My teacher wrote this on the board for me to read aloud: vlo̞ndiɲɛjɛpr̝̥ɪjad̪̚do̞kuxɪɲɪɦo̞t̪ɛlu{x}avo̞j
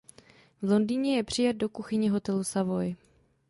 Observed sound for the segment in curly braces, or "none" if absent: s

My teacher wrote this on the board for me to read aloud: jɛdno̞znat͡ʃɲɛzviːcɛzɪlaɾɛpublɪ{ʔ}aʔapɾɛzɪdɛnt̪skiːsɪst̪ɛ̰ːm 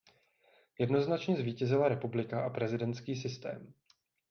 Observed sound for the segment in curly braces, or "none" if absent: k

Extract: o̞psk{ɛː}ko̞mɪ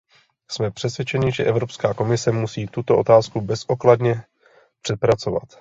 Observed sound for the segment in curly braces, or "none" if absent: aː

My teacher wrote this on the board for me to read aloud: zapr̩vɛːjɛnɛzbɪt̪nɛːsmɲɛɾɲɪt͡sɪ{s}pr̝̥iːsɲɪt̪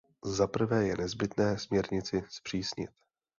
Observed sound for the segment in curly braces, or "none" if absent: s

